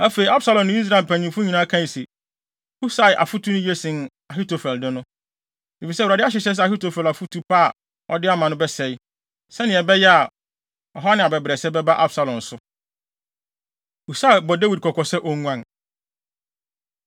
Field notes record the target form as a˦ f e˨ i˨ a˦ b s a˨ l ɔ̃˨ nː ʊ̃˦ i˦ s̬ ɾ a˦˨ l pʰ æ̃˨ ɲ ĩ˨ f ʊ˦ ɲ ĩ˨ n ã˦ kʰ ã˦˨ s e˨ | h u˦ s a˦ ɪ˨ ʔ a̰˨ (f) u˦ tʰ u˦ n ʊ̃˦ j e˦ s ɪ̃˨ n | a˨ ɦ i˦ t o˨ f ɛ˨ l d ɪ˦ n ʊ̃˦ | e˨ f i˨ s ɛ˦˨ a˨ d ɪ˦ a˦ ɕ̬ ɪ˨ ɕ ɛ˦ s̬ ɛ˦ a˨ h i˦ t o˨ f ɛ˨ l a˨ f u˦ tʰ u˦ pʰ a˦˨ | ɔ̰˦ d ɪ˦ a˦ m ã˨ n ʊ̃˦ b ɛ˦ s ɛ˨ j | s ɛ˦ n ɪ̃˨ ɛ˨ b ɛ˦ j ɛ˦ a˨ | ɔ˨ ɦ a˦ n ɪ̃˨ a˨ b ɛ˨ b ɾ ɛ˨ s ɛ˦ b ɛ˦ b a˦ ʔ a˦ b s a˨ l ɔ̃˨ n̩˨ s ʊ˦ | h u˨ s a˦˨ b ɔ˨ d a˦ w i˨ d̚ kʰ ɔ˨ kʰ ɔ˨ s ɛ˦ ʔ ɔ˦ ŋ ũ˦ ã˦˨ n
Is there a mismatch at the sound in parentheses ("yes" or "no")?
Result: no